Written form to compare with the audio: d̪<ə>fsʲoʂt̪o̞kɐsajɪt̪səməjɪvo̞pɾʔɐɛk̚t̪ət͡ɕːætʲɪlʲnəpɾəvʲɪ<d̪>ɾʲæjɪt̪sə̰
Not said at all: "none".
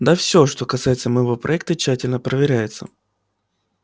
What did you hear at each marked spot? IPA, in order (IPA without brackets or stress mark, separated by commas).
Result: a, none